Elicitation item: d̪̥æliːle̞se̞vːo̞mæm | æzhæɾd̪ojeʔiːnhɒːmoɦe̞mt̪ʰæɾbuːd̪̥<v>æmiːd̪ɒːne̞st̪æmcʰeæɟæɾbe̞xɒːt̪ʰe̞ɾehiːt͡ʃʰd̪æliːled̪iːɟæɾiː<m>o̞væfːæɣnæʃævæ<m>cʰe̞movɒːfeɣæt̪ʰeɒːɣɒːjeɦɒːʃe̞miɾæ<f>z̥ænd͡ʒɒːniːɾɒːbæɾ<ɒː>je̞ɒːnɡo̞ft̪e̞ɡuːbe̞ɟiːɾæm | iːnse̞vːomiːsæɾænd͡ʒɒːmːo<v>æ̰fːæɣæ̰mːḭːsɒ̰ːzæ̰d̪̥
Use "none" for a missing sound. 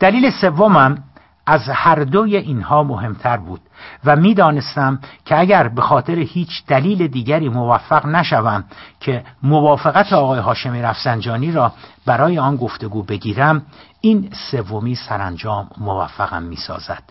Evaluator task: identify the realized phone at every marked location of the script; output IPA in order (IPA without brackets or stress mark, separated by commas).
v, m, m, f, ɒː, v